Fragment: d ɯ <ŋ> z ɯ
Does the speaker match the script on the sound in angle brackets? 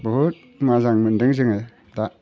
yes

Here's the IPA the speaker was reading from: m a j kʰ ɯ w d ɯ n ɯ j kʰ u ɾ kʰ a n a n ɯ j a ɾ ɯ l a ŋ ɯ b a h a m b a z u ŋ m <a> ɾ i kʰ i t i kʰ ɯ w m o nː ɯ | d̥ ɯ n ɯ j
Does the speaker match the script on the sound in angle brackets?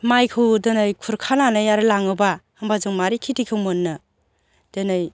yes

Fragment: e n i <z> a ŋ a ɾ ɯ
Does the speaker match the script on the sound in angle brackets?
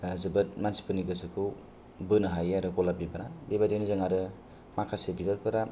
yes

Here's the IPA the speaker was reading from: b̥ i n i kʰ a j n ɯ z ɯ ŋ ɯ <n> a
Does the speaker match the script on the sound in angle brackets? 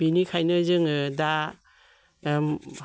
no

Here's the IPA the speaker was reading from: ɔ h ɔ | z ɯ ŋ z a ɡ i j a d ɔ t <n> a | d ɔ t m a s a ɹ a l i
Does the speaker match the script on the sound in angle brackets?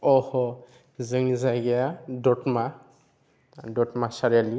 no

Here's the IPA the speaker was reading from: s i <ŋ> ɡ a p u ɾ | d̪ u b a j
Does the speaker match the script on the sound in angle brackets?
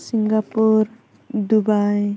yes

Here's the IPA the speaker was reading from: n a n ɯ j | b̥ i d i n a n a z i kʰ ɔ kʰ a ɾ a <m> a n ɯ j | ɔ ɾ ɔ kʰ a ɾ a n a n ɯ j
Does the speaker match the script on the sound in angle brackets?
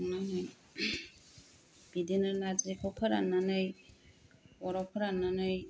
no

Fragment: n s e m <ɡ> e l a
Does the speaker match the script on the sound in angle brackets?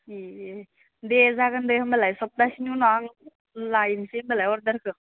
no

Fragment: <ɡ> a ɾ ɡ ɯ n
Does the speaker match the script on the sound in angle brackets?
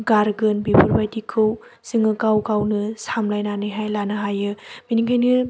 yes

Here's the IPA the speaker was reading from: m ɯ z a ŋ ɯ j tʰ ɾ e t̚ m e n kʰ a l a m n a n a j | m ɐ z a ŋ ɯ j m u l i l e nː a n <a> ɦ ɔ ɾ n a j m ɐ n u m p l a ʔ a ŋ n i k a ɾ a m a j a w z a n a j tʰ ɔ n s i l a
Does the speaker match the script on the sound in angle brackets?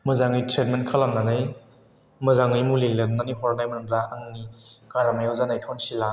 no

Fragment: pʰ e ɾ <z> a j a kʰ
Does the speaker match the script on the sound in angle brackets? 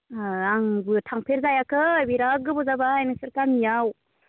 yes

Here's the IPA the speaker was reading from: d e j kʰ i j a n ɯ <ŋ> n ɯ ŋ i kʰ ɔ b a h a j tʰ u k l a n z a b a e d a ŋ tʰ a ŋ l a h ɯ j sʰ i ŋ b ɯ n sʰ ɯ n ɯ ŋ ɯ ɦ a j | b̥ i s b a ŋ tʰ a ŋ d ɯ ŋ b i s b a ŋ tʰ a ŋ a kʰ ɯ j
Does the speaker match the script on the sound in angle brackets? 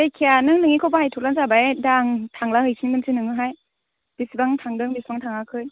yes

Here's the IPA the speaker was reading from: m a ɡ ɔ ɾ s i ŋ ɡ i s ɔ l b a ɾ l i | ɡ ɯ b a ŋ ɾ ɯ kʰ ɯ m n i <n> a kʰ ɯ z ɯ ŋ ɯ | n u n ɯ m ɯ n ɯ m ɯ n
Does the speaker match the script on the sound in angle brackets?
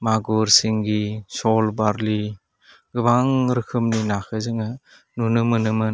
yes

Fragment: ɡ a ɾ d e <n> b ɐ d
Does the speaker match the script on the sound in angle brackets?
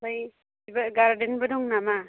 yes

